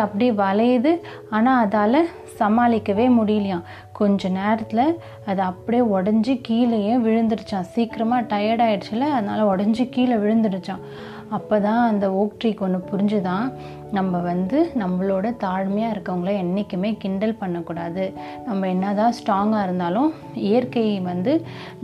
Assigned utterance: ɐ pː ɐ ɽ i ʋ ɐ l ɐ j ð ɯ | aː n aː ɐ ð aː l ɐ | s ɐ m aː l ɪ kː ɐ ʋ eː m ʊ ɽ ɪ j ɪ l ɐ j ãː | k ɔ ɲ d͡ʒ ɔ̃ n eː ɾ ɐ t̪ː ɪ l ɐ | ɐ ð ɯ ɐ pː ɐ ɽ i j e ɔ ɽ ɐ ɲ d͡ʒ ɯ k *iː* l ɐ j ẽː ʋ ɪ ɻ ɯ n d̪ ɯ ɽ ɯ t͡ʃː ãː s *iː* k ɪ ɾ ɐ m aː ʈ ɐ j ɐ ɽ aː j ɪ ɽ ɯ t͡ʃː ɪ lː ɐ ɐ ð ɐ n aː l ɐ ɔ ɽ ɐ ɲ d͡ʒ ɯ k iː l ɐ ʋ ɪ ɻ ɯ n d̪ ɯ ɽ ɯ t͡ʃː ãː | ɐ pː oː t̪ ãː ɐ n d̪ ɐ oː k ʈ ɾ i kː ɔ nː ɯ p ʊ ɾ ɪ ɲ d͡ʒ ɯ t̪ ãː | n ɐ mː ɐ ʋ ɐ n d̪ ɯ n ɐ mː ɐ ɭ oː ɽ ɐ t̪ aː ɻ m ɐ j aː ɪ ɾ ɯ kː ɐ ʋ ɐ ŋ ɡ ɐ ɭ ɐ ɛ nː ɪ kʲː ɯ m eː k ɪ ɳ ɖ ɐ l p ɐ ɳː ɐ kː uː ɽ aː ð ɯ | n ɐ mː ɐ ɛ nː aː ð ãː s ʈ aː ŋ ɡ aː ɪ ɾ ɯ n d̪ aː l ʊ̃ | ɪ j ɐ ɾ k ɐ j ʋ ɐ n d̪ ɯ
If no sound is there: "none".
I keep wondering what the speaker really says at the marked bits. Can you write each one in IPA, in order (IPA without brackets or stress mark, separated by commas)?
iː, iː